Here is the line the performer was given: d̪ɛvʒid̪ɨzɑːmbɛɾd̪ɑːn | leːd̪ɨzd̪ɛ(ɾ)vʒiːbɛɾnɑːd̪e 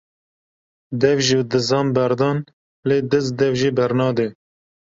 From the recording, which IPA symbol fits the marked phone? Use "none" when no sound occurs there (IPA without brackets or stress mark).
none